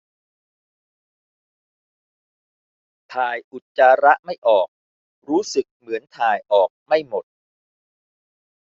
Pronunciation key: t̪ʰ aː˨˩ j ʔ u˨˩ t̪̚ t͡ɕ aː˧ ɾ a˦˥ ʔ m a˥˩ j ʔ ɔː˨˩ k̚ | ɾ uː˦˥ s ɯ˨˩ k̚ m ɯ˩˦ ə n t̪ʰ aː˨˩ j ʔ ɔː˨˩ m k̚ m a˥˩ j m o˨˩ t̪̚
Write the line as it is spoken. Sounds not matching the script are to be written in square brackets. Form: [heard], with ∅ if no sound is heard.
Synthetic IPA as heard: t̪ʰ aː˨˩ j ʔ u˨˩ t̪̚ t͡ɕ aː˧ ɾ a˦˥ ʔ m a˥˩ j ʔ ɔː˨˩ k̚ | ɾ uː˦˥ s ɯ˨˩ k̚ m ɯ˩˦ ə n t̪ʰ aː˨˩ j ʔ ɔː˨˩ [∅] k̚ m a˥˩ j m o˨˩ t̪̚